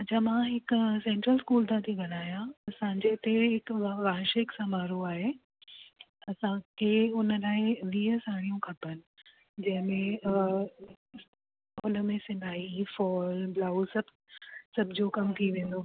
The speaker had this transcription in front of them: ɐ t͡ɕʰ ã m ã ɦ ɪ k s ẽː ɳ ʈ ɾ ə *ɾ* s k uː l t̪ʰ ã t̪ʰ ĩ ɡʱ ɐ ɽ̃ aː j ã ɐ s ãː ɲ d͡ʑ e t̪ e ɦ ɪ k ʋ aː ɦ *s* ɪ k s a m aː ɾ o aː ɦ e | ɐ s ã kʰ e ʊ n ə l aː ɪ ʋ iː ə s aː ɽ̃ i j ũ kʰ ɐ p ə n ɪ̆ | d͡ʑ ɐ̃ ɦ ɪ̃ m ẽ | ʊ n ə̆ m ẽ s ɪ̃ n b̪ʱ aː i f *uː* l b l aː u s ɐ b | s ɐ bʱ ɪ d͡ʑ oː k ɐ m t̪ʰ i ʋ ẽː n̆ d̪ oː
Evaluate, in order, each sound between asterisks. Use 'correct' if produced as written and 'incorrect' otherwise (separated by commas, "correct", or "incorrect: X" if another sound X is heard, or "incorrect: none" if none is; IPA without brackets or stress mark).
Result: incorrect: l, incorrect: ʃ, incorrect: ɔː